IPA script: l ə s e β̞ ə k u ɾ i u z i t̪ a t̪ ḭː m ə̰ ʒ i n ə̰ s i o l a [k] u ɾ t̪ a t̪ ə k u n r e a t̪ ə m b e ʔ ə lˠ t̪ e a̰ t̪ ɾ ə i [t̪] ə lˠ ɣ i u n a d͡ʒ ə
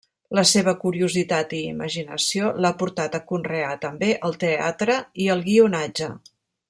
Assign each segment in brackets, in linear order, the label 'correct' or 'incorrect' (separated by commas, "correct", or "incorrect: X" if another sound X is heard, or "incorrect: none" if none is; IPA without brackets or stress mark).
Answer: incorrect: p, incorrect: none